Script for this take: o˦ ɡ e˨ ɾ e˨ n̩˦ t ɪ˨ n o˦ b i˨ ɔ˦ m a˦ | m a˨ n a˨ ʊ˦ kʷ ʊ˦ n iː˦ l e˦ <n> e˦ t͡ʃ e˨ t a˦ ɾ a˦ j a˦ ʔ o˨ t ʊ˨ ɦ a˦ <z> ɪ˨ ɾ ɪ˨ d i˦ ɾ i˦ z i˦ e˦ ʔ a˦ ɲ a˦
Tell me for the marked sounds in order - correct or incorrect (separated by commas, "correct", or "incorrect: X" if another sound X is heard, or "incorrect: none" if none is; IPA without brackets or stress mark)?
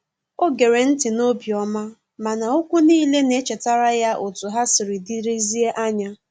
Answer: correct, incorrect: s